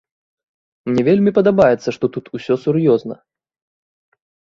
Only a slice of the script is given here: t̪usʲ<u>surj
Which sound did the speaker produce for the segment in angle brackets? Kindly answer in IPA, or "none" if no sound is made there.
ɔ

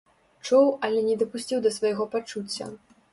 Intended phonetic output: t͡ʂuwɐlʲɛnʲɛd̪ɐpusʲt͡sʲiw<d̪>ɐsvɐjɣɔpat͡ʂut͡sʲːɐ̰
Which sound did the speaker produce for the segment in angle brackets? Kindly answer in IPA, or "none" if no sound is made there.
d̪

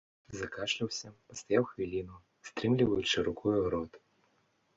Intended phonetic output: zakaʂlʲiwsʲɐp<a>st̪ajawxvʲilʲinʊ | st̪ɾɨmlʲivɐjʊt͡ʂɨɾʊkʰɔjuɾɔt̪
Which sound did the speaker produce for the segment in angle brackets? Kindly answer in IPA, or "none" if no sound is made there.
ɐ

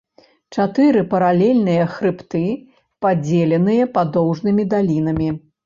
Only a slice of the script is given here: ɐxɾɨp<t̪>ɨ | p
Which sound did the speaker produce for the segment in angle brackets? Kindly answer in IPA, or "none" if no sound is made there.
t̪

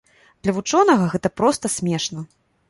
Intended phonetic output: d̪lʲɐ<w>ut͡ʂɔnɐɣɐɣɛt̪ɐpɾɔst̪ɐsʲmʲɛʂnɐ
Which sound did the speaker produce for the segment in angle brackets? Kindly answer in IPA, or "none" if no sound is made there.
v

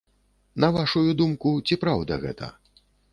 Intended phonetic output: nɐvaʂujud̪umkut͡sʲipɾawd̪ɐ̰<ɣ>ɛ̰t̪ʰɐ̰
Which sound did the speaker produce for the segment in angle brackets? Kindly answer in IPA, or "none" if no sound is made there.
ɣ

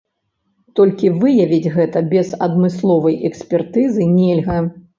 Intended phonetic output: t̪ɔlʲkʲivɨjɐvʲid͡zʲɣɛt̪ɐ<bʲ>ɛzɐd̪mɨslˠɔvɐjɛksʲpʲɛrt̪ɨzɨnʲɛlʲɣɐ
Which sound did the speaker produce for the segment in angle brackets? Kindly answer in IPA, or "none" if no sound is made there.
bʲ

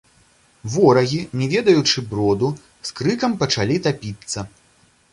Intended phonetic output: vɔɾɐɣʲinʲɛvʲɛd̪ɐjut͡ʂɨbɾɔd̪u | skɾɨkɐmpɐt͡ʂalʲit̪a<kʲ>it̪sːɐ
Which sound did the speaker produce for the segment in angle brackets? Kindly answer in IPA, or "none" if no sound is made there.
pʲ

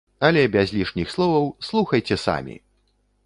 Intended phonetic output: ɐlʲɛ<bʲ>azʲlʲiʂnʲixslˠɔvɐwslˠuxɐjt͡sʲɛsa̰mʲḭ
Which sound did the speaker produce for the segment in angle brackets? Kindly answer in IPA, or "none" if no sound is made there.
bʲ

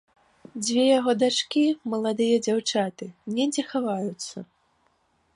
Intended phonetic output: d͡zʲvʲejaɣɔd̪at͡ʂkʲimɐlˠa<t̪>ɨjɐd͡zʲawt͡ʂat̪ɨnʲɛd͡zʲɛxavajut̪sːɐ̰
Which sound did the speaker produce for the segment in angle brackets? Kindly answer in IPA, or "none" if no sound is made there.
d̪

